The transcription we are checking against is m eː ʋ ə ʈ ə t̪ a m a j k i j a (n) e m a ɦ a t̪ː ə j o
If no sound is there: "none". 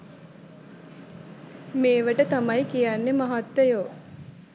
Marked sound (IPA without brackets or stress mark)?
nː